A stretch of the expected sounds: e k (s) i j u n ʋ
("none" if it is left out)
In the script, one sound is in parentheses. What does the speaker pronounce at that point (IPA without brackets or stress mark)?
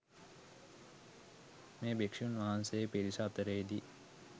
ʂ